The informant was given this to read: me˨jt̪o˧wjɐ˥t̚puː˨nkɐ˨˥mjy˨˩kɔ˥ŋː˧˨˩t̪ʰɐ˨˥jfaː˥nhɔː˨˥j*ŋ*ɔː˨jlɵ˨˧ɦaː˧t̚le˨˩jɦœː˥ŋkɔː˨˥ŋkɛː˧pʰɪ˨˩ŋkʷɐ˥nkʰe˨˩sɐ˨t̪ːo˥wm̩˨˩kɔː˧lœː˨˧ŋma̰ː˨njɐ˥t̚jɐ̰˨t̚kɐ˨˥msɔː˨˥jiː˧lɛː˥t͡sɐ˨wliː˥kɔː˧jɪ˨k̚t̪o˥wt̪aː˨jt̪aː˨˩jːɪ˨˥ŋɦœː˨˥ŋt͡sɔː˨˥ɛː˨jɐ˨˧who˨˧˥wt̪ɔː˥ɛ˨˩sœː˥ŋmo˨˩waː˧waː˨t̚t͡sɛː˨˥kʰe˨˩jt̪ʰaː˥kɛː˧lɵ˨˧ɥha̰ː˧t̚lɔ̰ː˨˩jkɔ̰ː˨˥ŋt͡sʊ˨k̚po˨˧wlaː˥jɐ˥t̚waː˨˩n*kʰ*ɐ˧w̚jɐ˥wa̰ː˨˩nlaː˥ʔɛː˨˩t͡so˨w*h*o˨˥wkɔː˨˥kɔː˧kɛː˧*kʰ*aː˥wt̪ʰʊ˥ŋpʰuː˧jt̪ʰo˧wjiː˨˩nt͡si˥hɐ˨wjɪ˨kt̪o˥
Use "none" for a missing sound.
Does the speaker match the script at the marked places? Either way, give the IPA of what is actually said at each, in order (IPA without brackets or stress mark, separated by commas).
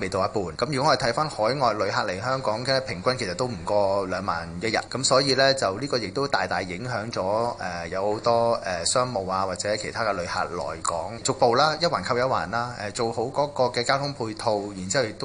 ŋ, kʰ, h, k